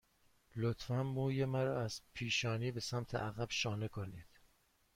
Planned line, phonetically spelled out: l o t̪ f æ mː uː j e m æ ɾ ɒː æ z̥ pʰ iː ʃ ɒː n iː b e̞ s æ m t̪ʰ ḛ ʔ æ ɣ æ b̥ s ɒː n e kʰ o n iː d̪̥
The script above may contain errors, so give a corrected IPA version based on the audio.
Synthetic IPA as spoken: l o t̪ f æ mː uː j e m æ ɾ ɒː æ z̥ pʰ iː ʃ ɒː n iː b e̞ s æ m t̪ʰ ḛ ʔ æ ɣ æ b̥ ʃ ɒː n e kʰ o n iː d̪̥